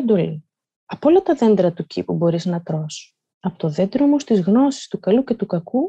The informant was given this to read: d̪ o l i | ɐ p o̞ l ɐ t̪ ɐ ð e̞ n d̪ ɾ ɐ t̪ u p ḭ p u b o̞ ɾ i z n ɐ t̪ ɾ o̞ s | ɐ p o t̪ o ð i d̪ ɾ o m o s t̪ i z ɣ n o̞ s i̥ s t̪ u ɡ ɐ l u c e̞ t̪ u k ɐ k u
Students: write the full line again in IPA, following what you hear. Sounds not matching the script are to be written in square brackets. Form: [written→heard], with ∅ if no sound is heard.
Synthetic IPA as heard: d̪ o l i | ɐ p o̞ l ɐ t̪ ɐ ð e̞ n d̪ ɾ ɐ t̪ u [p→c] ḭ p u b o̞ ɾ i z n ɐ t̪ ɾ o̞ s | ɐ p o t̪ o ð [i→e] d̪ ɾ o m o s t̪ i z ɣ n o̞ s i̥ s t̪ u [ɡ→k] ɐ l u c e̞ t̪ u k ɐ k u